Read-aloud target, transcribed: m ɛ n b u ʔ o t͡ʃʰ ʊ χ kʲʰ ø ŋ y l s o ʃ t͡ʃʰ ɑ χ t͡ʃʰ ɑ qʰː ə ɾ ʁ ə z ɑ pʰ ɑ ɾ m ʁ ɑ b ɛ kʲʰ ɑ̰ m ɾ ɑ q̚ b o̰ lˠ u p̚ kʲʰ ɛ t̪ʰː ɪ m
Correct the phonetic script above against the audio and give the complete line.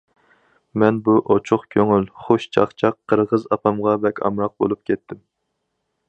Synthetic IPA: m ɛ n b u ʔ o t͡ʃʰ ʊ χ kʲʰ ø ŋ y l χ o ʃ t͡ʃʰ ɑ χ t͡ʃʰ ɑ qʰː ə ɾ ʁ ə z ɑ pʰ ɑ m ʁ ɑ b ɛ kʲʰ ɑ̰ m ɾ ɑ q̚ b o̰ lˠ u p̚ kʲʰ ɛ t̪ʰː ɪ m